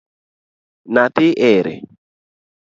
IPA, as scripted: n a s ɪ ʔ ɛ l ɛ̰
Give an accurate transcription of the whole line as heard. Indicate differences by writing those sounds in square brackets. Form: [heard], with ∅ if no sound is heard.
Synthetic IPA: n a [t] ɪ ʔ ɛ [ɾ] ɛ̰